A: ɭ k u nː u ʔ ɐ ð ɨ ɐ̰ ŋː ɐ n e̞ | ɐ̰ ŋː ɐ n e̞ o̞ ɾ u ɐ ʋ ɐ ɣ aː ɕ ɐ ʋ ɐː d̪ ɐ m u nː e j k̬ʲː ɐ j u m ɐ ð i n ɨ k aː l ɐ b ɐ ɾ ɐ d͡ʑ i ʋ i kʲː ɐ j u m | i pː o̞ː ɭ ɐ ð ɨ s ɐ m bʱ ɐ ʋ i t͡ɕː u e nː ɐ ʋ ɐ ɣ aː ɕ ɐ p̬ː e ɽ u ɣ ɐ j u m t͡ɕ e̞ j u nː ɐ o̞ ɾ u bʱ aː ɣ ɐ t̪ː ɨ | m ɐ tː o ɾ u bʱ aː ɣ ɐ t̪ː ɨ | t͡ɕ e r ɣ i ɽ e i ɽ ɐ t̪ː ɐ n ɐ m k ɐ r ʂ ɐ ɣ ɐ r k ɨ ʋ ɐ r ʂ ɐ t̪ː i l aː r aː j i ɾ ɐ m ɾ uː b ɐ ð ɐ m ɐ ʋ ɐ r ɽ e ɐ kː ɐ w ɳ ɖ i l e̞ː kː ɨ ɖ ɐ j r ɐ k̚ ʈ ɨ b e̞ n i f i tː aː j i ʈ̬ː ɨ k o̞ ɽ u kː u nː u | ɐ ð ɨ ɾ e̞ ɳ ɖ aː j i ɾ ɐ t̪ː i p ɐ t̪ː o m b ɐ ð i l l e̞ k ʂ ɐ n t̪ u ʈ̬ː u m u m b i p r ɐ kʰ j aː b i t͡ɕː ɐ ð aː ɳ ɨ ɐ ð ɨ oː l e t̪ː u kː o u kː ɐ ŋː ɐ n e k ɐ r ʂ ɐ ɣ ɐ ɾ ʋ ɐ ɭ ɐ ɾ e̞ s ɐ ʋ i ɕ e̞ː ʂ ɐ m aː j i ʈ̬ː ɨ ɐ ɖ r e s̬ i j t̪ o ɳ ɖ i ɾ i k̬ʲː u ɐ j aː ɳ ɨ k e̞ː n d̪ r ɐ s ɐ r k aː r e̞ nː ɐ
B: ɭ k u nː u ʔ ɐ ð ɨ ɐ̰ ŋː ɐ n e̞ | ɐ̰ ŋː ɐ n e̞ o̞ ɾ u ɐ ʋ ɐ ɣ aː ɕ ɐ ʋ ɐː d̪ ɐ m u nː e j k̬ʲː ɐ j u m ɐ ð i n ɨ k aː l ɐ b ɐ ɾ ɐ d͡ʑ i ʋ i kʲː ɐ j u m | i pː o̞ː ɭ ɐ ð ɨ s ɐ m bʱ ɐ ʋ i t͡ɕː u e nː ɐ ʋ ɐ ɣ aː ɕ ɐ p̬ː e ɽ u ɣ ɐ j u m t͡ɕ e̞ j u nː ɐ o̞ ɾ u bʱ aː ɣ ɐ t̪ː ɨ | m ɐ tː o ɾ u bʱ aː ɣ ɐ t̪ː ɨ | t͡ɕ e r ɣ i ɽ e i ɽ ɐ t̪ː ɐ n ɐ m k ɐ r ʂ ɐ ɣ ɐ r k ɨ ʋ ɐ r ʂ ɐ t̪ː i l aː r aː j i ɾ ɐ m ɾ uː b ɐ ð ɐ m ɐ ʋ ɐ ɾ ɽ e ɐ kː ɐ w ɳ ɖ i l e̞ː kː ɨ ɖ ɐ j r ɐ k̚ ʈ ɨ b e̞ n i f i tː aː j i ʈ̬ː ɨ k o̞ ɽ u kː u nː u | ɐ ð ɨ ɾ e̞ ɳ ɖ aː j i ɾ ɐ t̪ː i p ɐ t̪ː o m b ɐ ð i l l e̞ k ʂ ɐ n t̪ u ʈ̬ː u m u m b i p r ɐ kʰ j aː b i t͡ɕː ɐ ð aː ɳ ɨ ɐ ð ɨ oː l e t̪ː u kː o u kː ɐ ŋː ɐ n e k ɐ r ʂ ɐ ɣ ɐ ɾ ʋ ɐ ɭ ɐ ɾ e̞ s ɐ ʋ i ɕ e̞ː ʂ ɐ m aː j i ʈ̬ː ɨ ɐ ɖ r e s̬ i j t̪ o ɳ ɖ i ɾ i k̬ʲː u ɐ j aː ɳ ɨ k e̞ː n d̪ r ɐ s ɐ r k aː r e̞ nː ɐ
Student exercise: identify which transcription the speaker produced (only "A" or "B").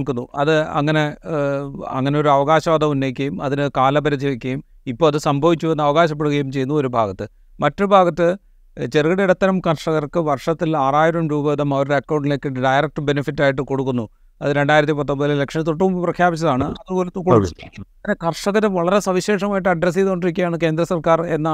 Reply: B